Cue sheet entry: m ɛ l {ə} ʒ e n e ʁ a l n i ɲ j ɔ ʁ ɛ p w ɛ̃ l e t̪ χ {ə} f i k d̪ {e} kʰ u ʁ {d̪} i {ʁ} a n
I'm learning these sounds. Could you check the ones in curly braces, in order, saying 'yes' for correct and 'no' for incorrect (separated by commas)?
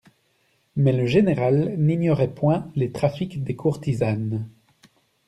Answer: yes, no, yes, no, no